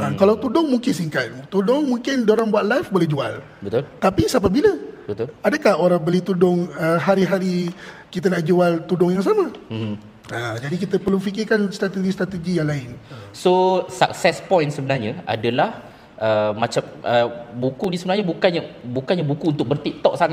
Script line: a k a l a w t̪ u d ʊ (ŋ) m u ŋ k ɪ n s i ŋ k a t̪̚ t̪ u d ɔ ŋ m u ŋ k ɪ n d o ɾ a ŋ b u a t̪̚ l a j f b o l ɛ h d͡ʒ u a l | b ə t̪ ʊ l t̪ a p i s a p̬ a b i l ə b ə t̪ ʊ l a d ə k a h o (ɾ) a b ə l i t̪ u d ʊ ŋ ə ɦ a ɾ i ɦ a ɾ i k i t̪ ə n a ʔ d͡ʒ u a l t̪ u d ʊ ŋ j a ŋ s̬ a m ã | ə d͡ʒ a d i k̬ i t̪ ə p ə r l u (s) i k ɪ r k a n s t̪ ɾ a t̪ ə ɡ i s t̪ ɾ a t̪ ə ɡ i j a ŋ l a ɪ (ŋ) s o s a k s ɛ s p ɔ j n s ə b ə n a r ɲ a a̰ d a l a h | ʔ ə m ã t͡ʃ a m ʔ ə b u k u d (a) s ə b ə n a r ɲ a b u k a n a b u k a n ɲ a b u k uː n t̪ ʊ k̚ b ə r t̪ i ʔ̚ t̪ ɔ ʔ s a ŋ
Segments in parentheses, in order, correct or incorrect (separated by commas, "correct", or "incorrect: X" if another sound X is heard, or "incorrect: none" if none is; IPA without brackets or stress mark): correct, correct, incorrect: f, incorrect: n, incorrect: i